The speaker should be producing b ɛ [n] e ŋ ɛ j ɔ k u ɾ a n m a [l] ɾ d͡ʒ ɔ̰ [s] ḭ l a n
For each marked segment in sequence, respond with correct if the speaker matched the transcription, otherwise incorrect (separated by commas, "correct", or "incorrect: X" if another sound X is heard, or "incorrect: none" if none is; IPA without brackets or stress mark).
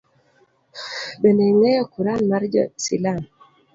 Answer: correct, incorrect: none, correct